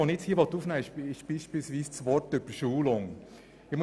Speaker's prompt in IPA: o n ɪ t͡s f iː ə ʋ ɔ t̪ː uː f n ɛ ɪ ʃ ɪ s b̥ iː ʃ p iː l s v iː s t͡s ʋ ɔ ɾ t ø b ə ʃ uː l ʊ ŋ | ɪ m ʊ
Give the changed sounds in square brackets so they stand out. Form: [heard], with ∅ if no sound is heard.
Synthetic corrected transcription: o n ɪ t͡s [h] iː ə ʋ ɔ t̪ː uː f n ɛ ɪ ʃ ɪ [ʃ] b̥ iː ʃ p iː l s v iː s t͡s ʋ ɔ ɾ t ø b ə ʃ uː l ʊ ŋ | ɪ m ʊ